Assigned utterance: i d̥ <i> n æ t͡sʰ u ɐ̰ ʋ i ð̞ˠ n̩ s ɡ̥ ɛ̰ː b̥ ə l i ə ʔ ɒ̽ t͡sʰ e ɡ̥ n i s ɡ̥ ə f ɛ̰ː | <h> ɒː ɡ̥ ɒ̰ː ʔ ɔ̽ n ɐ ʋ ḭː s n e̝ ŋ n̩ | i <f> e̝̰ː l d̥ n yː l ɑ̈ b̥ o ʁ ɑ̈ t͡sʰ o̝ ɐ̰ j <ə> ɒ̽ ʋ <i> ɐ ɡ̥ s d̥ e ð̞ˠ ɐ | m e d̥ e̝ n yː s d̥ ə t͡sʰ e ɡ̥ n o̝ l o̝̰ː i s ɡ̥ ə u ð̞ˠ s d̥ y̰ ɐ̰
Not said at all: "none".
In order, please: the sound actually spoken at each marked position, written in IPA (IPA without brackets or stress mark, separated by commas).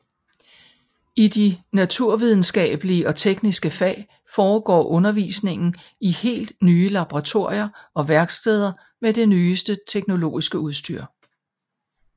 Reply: i, f, h, ɐ, æ